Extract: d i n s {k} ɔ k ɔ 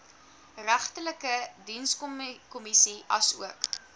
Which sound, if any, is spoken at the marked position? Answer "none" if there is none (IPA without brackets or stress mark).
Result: k